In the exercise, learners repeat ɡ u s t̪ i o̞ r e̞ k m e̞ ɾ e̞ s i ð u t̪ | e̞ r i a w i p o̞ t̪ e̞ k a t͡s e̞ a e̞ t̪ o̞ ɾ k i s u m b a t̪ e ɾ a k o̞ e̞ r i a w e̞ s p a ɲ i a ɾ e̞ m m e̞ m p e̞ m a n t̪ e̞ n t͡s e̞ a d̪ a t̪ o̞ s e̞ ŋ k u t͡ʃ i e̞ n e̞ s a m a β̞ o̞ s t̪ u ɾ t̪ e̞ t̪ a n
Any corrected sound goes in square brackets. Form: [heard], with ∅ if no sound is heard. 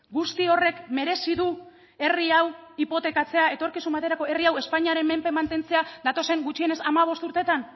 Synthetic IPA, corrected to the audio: ɡ u s t̪ i o̞ r e̞ k m e̞ ɾ e̞ s i ð u [∅] | e̞ r i a w i p o̞ t̪ e̞ k a t͡s e̞ a e̞ t̪ o̞ ɾ k i s u m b a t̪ e ɾ a k o̞ e̞ r i a w e̞ s p a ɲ i a ɾ e̞ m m e̞ m p e̞ m a n t̪ e̞ n t͡s e̞ a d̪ a t̪ o̞ s e̞ ŋ [ɡ] u t͡ʃ i e̞ n e̞ s a m a β̞ o̞ s t̪ u ɾ t̪ e̞ t̪ a n